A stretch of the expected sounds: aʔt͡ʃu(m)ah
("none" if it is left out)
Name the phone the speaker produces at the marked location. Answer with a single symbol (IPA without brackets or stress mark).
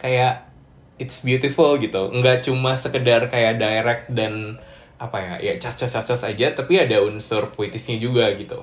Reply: m